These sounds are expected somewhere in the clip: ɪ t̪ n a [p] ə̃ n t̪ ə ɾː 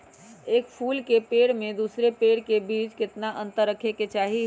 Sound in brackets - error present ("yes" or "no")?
yes